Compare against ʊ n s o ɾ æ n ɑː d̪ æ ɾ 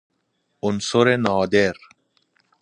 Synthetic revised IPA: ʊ n s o ɾ e n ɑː d̪ e ɾ